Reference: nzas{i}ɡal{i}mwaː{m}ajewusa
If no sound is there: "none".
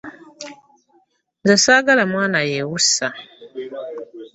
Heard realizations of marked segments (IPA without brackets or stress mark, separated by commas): a, a, n